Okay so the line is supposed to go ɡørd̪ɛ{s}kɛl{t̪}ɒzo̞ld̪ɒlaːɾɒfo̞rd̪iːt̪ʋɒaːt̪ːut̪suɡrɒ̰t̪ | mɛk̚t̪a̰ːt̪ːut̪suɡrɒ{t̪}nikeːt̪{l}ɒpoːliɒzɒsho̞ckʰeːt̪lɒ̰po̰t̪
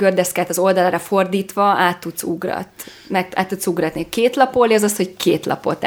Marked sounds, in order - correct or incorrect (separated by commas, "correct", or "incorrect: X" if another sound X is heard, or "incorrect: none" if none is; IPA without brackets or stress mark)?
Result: correct, correct, correct, correct